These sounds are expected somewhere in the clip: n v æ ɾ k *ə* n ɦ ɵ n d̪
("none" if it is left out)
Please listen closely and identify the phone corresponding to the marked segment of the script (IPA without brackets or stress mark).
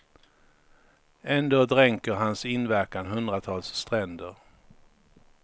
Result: a